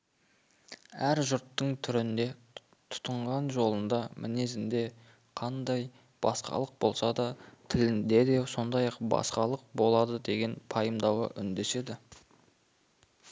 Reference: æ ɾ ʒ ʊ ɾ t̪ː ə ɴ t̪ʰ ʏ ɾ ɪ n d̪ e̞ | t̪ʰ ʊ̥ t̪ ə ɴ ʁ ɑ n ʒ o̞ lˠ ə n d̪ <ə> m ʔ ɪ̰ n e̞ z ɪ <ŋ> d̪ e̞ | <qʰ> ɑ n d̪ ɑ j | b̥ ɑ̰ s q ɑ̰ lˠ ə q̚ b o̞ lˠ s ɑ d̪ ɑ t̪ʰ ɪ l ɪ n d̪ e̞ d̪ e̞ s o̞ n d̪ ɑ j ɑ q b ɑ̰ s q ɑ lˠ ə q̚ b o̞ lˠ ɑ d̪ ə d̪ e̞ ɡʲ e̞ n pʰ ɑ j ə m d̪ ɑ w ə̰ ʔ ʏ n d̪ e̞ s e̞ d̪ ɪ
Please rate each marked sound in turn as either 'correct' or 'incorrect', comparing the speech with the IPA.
incorrect: ɑ, incorrect: n, correct

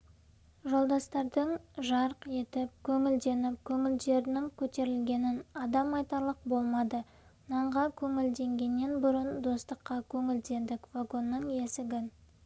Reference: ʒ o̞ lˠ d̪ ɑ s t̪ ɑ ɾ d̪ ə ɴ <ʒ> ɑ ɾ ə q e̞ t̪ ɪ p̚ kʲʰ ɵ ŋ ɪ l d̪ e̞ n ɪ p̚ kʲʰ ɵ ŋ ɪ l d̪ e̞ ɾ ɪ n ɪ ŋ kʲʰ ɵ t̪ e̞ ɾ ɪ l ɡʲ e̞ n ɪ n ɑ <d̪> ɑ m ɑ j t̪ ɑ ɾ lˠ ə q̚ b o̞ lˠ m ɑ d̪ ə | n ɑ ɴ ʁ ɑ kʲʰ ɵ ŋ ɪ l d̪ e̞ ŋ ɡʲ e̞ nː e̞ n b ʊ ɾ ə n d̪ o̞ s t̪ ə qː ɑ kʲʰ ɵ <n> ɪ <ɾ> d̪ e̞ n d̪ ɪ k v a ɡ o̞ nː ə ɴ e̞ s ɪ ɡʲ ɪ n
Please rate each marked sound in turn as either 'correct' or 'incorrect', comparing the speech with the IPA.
correct, correct, incorrect: ŋ, incorrect: l

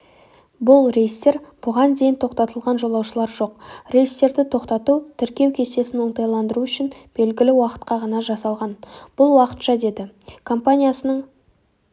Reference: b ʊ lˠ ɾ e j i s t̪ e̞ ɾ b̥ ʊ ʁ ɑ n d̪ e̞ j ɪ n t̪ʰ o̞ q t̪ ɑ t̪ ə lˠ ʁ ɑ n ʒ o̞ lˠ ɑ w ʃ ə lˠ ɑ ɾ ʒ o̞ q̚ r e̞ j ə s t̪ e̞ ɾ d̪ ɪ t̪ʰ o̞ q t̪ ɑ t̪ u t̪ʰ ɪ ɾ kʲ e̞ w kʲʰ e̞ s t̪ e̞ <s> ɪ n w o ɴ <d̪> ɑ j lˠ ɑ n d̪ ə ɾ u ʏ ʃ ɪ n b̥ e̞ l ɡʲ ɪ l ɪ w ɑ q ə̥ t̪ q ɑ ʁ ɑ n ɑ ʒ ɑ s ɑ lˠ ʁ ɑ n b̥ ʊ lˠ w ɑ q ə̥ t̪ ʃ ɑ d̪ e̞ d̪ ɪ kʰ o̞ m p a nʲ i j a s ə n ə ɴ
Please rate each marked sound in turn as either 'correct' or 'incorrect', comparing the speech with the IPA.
correct, incorrect: t̪

